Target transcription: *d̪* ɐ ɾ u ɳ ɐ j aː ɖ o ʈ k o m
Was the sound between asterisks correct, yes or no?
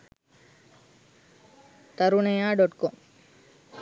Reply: no